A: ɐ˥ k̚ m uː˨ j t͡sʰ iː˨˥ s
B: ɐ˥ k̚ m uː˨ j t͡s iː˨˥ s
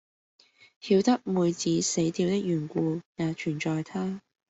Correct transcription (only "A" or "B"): B